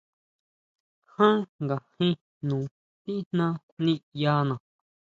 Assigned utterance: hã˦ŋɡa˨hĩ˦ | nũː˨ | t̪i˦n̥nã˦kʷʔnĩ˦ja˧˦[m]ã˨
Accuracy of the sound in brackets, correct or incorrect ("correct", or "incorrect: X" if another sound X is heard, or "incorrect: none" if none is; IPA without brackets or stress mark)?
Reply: incorrect: n